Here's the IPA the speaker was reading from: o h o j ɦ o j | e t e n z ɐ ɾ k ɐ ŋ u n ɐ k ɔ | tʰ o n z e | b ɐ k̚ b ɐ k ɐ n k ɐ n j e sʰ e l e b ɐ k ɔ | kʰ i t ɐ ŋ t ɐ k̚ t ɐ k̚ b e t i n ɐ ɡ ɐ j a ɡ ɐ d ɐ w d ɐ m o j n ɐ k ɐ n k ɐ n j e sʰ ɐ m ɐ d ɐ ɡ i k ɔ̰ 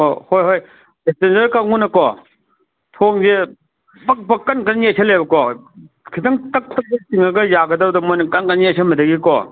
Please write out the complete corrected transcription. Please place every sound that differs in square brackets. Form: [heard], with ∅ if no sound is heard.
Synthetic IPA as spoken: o h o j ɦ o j | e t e n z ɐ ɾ k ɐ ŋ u n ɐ k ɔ | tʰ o [ŋ] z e | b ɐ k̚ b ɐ k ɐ n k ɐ n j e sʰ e l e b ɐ k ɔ | kʰ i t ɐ ŋ t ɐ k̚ t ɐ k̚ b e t i [ŋ] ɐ ɡ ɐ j a ɡ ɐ d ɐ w d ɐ m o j n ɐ k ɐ n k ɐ n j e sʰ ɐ m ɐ d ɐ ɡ i k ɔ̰